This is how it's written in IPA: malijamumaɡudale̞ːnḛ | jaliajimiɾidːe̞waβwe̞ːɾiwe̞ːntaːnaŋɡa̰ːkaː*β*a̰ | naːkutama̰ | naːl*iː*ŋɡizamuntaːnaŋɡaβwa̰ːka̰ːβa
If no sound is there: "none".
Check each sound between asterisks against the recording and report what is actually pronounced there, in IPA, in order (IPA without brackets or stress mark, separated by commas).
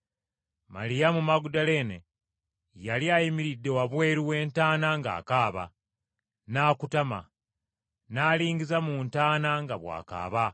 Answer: β, iː